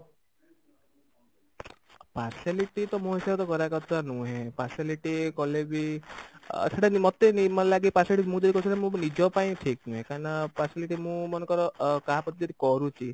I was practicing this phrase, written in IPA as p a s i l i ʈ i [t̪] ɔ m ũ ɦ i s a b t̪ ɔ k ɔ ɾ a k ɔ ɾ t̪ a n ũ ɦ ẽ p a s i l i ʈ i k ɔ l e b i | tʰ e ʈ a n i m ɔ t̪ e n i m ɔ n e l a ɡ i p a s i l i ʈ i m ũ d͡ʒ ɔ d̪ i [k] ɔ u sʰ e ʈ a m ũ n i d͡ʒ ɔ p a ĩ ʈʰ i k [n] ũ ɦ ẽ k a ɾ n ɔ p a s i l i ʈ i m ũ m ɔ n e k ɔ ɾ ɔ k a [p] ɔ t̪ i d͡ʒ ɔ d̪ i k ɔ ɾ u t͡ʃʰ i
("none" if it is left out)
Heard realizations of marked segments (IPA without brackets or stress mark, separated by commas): t̪, k, n, p